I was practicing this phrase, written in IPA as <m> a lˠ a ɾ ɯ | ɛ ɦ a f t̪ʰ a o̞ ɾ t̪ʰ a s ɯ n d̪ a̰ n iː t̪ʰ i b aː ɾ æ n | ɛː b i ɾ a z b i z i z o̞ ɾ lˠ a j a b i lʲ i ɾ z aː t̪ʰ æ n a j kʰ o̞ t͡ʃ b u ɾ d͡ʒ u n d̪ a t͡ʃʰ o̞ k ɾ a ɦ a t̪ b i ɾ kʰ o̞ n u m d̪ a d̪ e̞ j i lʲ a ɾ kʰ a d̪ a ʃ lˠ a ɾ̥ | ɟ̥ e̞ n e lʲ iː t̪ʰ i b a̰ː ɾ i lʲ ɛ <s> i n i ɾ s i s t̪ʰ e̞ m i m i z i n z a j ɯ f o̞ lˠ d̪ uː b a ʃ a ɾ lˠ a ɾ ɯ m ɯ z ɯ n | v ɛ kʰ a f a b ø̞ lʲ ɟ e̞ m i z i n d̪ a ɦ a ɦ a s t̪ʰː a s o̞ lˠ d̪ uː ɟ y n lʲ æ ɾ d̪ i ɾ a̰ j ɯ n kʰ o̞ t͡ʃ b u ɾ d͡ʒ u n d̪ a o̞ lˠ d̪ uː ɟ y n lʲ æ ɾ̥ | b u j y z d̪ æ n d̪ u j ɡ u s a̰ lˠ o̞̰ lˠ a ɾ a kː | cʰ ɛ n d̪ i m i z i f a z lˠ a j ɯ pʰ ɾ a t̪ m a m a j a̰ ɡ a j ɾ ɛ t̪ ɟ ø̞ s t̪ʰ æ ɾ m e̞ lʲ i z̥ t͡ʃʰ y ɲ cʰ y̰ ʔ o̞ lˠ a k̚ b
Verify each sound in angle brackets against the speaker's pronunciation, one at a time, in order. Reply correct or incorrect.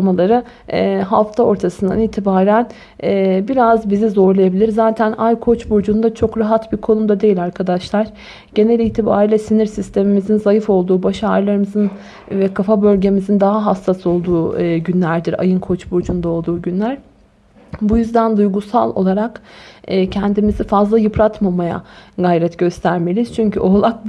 correct, correct

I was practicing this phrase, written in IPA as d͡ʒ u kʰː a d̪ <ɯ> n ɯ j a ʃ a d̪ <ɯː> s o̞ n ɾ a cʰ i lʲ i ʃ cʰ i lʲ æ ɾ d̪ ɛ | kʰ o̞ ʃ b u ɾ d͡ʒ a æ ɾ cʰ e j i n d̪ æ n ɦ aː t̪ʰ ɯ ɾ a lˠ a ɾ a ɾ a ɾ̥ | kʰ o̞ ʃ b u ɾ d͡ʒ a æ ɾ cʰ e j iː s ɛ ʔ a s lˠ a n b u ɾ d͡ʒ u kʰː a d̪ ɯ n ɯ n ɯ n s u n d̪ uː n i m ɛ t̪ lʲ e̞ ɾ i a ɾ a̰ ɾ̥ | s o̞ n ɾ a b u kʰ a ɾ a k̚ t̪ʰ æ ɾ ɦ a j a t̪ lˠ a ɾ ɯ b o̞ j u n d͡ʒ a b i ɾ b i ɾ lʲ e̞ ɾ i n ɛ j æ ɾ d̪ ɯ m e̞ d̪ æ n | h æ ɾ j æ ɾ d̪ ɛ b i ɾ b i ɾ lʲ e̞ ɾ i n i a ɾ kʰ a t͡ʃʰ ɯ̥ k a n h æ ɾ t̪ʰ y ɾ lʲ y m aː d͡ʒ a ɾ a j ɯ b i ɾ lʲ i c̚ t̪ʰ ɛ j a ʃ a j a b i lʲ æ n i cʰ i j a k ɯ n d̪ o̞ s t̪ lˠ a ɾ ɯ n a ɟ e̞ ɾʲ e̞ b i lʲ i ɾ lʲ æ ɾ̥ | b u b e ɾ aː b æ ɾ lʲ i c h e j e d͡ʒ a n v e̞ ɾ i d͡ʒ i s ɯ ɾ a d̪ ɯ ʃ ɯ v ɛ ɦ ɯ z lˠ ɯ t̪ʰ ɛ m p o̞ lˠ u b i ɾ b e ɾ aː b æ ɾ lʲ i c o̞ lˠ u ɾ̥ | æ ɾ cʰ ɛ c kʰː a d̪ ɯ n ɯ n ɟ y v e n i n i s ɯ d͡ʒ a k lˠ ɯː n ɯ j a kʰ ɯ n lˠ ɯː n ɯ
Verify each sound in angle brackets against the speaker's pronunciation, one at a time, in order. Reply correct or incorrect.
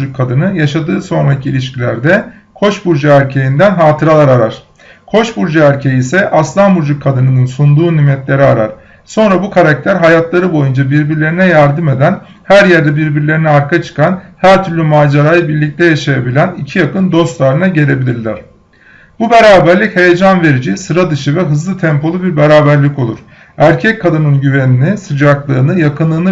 correct, correct

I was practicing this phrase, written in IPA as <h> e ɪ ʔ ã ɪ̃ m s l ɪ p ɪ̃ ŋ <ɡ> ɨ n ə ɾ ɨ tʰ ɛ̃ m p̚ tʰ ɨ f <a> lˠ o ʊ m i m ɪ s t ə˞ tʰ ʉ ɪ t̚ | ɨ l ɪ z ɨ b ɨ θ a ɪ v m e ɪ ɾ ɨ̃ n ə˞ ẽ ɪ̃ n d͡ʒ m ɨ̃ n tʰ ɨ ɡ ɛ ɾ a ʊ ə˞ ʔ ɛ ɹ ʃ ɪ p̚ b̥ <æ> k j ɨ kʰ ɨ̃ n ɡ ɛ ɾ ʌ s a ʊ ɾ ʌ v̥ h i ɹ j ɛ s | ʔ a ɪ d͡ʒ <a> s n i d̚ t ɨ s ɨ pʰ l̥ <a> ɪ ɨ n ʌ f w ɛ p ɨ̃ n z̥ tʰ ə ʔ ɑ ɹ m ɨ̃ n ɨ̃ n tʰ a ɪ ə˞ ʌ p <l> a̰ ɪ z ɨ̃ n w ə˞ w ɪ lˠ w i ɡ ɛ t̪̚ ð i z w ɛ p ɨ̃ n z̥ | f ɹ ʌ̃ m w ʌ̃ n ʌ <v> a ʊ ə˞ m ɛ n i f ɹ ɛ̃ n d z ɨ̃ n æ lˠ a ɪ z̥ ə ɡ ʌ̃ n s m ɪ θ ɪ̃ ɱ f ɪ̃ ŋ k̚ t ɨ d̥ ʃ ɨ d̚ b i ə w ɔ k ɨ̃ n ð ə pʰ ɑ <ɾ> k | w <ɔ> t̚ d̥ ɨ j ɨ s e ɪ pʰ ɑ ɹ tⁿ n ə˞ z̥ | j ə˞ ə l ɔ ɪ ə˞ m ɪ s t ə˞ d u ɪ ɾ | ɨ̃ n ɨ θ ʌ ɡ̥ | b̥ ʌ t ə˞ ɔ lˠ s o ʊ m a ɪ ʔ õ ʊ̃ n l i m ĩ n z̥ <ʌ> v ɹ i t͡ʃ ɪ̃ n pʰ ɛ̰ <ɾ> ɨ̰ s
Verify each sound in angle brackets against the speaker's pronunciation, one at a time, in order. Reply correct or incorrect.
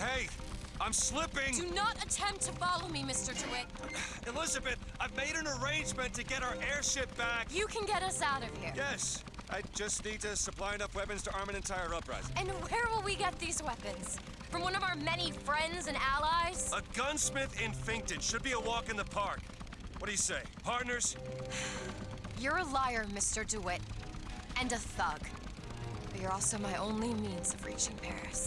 correct, incorrect, incorrect, correct, incorrect, correct, incorrect, correct, incorrect, incorrect, correct, incorrect

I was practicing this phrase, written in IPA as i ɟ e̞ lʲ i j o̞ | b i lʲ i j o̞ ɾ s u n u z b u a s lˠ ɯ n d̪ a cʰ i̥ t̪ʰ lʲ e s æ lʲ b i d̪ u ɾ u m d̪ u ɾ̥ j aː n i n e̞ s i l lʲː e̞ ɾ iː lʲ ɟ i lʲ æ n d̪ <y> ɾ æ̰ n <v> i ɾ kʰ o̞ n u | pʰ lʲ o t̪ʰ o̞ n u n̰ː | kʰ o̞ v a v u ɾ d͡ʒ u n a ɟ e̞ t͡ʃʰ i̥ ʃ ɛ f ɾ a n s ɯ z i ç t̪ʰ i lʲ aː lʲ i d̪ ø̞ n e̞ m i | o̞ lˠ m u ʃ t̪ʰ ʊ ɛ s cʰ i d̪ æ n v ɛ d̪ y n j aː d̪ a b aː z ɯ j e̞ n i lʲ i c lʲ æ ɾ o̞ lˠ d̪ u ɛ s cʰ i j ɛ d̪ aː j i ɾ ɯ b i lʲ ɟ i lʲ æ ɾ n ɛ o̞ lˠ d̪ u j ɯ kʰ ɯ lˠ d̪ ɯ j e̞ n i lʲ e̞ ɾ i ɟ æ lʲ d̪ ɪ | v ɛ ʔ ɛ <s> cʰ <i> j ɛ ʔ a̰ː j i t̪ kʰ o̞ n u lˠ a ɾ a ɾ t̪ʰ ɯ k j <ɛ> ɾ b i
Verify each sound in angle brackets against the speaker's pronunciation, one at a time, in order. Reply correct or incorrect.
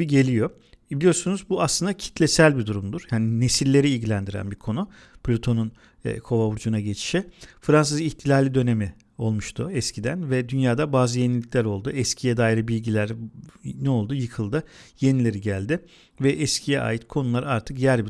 incorrect, incorrect, correct, correct, incorrect

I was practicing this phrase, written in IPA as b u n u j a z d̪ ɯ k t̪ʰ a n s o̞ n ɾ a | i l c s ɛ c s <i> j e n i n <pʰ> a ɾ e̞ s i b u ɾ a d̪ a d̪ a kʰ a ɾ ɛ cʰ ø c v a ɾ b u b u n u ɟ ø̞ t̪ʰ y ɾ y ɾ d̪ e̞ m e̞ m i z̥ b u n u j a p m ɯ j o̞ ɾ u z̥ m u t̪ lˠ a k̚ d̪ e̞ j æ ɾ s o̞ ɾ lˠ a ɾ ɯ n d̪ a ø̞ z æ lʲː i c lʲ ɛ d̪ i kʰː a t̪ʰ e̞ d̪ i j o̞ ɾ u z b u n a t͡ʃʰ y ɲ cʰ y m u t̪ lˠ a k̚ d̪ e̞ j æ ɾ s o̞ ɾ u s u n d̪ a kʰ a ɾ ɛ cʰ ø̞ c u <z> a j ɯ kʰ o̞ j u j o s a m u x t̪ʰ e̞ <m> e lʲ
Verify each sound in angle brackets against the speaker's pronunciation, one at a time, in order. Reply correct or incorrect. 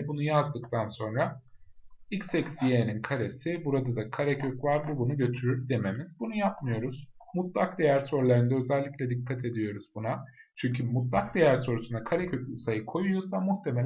correct, incorrect, incorrect, correct

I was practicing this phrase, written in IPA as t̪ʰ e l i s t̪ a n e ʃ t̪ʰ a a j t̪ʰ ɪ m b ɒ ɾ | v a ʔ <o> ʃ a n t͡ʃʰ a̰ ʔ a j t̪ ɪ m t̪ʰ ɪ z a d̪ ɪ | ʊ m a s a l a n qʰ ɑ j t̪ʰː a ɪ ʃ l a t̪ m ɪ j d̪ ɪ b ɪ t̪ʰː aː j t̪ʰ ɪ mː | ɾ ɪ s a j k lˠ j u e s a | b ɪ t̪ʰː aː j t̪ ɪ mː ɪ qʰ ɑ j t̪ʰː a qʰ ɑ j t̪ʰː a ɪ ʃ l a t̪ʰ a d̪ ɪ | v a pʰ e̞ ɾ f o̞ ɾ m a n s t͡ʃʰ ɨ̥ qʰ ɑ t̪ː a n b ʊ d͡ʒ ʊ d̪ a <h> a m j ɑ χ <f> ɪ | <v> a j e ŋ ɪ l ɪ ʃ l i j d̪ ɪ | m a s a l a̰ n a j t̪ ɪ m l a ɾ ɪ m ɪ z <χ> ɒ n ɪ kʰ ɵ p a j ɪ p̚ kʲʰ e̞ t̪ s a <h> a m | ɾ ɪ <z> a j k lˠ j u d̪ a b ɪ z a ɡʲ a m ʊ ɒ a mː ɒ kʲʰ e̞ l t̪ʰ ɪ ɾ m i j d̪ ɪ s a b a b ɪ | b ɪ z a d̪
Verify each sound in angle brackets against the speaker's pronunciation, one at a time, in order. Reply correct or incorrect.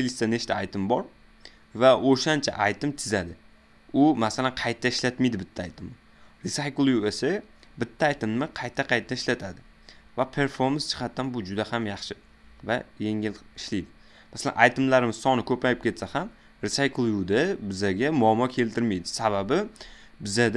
correct, correct, incorrect, correct, incorrect, correct, incorrect

